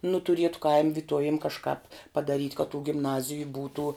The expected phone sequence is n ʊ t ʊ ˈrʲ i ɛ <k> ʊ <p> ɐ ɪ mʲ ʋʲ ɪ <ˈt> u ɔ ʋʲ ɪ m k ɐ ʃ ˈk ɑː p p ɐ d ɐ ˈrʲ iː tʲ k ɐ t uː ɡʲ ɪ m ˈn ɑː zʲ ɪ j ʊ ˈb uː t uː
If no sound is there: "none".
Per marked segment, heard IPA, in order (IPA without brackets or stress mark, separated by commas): t, k, t